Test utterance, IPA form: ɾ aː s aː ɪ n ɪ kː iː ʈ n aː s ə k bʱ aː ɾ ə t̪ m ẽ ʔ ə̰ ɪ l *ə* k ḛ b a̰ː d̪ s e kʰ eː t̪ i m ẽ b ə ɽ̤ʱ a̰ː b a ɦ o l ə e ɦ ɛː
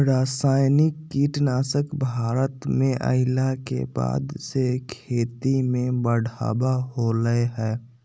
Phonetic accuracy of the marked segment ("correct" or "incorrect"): incorrect